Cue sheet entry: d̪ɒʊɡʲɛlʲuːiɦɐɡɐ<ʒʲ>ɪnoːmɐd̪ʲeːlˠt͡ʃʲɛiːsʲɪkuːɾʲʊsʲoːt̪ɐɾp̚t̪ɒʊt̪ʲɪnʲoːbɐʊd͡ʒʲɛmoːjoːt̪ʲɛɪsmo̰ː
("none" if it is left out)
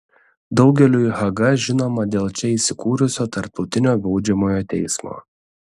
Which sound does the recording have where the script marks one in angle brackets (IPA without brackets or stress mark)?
ʒʲ